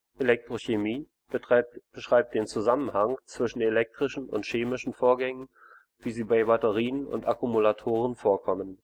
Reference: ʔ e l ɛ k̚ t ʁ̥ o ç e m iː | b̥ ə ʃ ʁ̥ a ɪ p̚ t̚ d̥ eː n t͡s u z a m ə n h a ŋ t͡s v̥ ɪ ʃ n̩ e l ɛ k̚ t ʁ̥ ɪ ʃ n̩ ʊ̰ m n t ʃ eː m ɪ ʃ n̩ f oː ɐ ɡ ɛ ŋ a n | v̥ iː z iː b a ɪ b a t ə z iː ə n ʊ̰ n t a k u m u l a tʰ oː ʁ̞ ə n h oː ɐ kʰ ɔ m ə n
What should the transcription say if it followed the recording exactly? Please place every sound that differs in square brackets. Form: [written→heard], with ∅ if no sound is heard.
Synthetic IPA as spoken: ʔ e l ɛ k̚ t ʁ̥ o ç e m iː | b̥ ə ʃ ʁ̥ a ɪ p̚ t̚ d̥ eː n t͡s u z a m ə n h a ŋ t͡s v̥ ɪ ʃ n̩ e l ɛ k̚ t ʁ̥ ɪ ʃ n̩ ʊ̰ [m→∅] n t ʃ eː m ɪ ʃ n̩ f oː ɐ ɡ ɛ ŋ [a→ə] n | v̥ iː z iː b a ɪ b a t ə [z→ʁ] iː ə n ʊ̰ n t a k u m u l a tʰ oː ʁ̞ ə n [h→f] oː ɐ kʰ ɔ m ə n

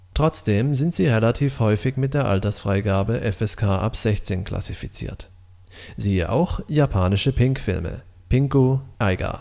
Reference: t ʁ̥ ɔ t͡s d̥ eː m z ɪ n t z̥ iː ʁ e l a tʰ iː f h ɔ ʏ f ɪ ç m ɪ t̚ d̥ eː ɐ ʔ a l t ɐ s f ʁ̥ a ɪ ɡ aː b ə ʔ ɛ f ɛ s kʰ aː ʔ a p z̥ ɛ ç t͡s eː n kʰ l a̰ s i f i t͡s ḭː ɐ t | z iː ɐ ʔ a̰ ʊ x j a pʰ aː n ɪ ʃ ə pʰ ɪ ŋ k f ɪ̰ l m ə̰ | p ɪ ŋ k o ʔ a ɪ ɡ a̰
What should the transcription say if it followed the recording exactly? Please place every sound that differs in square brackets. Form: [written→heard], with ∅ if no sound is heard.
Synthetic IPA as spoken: t ʁ̥ ɔ t͡s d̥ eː m z ɪ n t z̥ iː ʁ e l a tʰ iː f h ɔ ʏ f ɪ ç m ɪ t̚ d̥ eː ɐ ʔ a l t ɐ s f ʁ̥ a ɪ ɡ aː b ə ʔ ɛ f ɛ s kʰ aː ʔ a p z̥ ɛ ç t͡s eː n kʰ l a̰ s i f i t͡s ḭː ɐ t | z iː [ɐ→ə] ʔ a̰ ʊ x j a pʰ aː n ɪ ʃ ə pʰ ɪ ŋ k f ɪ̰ l m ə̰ | p ɪ ŋ k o ʔ a ɪ ɡ a̰

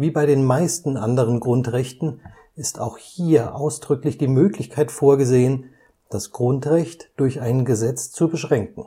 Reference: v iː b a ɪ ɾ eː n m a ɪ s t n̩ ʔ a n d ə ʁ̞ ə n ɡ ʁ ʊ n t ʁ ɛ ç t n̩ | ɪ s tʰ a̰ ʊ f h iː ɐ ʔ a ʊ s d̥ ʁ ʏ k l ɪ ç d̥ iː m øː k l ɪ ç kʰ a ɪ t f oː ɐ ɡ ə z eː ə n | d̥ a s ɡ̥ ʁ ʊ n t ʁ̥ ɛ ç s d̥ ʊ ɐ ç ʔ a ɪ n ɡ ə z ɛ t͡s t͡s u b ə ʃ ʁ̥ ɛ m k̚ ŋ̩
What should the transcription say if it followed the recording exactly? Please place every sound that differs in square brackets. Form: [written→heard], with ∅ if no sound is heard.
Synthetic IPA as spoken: v iː b a ɪ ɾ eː n m a ɪ s t n̩ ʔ a n d ə ʁ̞ ə n ɡ ʁ ʊ n t ʁ ɛ ç t n̩ | ɪ s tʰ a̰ ʊ [f→x] h iː ɐ ʔ a ʊ s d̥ ʁ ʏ k l ɪ ç d̥ iː m øː k l ɪ ç kʰ a ɪ t f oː ɐ ɡ ə z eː ə n | d̥ a s ɡ̥ ʁ ʊ n t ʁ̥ ɛ ç [s→t] d̥ ʊ ɐ ç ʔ a ɪ n ɡ ə z ɛ t͡s t͡s u b ə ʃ ʁ̥ ɛ [m→ŋ] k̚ ŋ̩

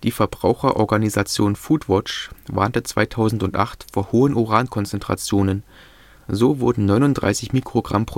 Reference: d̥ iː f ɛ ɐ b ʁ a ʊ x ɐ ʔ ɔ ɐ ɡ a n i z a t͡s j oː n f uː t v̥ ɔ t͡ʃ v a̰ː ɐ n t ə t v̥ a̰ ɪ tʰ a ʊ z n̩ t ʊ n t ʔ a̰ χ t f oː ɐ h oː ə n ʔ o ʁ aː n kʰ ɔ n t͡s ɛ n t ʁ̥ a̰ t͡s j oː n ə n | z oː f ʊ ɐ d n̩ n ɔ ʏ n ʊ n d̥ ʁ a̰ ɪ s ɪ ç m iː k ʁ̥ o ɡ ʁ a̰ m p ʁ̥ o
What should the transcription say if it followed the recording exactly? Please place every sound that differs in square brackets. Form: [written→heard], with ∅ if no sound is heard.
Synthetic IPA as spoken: d̥ iː f ɛ ɐ b ʁ a ʊ x ɐ ʔ ɔ ɐ ɡ a n i z a t͡s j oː n f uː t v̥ ɔ t͡ʃ v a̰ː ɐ n t ə [t→t͡s] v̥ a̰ ɪ tʰ a ʊ z n̩ t ʊ n t ʔ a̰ χ t f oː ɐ h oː ə n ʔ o ʁ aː n kʰ ɔ n t͡s ɛ n t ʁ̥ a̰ t͡s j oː n ə n | z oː [f→v] ʊ ɐ d n̩ n ɔ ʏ n ʊ n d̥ ʁ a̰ ɪ s ɪ ç m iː k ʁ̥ o ɡ ʁ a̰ m p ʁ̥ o

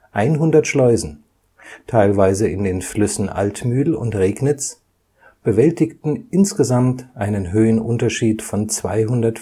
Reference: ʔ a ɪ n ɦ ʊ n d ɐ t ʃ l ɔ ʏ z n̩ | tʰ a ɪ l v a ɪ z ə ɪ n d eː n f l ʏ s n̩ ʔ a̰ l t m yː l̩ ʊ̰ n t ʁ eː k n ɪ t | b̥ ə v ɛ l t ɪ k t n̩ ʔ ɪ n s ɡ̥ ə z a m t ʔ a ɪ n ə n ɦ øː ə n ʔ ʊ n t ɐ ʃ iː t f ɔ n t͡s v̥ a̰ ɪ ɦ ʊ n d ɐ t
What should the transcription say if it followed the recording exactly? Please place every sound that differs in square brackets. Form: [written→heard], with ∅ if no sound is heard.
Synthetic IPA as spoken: ʔ a ɪ n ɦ ʊ n d ɐ t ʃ l ɔ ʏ z n̩ | tʰ a ɪ l v a ɪ z ə ɪ n d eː n f l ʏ s n̩ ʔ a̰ l t m yː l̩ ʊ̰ n t ʁ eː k n ɪ [t→t͡s] | b̥ ə v ɛ l t ɪ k t n̩ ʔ ɪ n s ɡ̥ ə z a m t ʔ a ɪ n ə n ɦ øː ə n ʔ ʊ n t ɐ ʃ iː t f ɔ n t͡s v̥ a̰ ɪ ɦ ʊ n d ɐ t

